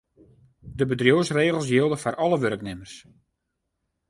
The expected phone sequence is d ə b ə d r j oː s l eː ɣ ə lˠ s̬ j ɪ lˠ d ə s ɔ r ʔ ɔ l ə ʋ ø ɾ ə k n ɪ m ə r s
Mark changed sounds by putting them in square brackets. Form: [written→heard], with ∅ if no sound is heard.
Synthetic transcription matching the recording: d ə b ə d r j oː s [l→r] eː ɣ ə lˠ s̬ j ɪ lˠ d ə [s→f] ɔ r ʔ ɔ l ə ʋ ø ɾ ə k n ɪ m ə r s